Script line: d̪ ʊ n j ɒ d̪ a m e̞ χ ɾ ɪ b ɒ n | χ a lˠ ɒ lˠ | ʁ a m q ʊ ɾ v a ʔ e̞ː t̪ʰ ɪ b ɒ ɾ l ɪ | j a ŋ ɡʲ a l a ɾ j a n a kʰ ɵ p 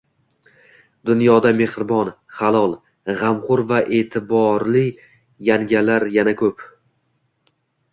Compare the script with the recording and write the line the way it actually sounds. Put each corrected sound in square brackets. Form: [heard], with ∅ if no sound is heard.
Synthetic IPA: d̪ ʊ n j ɒ d̪ a m e̞ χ ɾ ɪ b ɒ n | χ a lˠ ɒ lˠ | ʁ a m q ʊ ɾ v a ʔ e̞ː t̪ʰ ɪ b ɒ ɾ l ɪ | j a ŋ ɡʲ a l a ɾ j a n a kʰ ɵ p